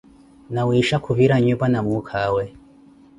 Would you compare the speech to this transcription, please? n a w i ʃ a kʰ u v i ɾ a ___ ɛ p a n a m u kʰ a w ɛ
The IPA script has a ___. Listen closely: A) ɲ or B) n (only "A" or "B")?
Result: A